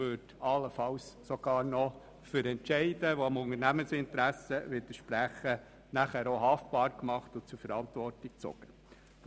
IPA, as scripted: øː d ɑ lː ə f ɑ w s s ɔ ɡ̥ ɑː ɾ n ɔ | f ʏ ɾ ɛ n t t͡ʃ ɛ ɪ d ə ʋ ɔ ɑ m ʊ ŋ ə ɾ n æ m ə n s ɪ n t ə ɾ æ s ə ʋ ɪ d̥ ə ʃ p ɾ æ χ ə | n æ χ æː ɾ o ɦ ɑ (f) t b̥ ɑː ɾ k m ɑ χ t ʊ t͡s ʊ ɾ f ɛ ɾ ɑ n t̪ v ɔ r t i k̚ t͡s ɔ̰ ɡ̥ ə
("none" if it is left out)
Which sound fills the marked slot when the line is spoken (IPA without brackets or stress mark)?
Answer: f